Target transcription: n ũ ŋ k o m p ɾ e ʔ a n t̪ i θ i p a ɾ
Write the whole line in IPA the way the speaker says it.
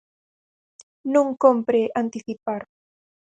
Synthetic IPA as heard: n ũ ŋ k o m p ɾ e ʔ a n t̪ i θ i p a ɾ